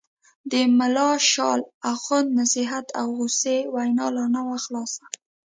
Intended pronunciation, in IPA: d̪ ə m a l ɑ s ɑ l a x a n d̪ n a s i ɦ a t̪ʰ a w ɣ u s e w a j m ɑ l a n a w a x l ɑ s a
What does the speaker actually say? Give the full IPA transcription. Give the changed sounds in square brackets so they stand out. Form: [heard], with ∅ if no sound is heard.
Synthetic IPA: d̪ ə m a l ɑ [ʃ] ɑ l a x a n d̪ n a s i ɦ a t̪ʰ a w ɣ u s e w a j [n] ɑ l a n a w a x l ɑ s a